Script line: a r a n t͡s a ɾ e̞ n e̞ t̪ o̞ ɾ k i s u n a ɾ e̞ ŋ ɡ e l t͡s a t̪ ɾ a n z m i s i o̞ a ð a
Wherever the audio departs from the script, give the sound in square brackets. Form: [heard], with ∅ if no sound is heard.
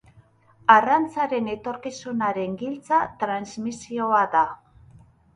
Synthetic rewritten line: a r a n t͡s a ɾ e̞ n e̞ t̪ o̞ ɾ k i s u n a ɾ e̞ ŋ ɡ [i] l t͡s a t̪ ɾ a n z m i s i o̞ a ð a

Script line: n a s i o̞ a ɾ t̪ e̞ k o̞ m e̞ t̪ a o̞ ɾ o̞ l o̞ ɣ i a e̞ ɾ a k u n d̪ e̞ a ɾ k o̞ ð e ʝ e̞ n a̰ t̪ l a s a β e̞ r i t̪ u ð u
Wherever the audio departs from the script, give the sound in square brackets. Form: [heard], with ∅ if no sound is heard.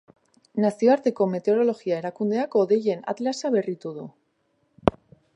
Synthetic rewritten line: n a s i o̞ a ɾ t̪ e̞ k o̞ m e̞ t̪ [e] o̞ ɾ o̞ l o̞ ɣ i a e̞ ɾ a k u n d̪ e̞ a [∅] k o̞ ð e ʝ e̞ n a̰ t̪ l a s a β e̞ r i t̪ u ð u

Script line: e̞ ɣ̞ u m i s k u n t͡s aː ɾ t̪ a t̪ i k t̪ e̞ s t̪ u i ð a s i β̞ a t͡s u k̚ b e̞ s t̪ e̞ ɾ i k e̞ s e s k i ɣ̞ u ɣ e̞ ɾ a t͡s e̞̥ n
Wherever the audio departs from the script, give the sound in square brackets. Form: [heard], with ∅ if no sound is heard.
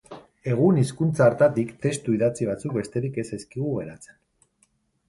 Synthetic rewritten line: e̞ ɣ̞ u [n] i s k u n t͡s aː ɾ t̪ a t̪ i k t̪ e̞ s t̪ u i ð a [t͡s] i β̞ a t͡s u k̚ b e̞ s t̪ e̞ ɾ i k e̞ s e s k i ɣ̞ u ɣ e̞ ɾ a t͡s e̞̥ n

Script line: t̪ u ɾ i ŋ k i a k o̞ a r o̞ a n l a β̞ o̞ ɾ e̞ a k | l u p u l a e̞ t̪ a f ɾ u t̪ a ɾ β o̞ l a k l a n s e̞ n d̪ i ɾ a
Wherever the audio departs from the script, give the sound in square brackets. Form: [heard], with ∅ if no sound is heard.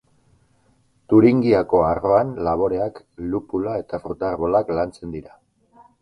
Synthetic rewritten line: t̪ u ɾ i ŋ [ɡ] i a k o̞ a r o̞ a n l a β̞ o̞ ɾ e̞ a k | l u p u l a e̞ t̪ a f ɾ u t̪ a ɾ β o̞ l a k l a n [t͡s] e̞ n d̪ i ɾ a

